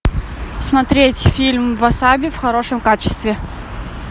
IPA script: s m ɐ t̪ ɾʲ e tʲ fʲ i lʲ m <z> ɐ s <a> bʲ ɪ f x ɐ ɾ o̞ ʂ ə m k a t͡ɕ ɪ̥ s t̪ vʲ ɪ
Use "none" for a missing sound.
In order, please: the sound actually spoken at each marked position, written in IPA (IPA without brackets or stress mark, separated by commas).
v, a